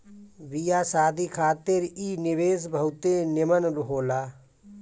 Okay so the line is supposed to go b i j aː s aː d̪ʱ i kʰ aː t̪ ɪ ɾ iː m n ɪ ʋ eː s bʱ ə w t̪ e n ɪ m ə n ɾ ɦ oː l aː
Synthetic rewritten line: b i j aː s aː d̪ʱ i kʰ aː t̪ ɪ ɾ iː n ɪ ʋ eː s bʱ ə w t̪ e n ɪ m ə n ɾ ɦ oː l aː